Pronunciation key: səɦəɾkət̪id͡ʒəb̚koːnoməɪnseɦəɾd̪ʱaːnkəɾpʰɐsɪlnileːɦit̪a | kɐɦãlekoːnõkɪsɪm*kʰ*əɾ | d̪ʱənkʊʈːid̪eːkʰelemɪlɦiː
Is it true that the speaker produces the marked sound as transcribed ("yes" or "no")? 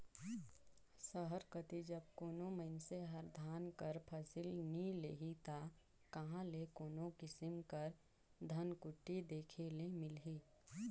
no